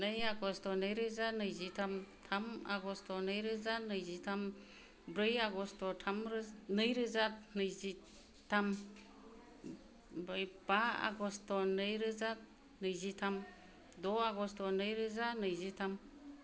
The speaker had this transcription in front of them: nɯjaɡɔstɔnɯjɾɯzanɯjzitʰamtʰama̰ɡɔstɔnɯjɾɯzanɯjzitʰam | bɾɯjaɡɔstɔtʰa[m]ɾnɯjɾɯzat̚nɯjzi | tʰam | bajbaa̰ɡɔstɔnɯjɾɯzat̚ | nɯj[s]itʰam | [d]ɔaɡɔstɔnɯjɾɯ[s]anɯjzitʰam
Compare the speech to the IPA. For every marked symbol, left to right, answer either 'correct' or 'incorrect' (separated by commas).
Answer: correct, incorrect, correct, incorrect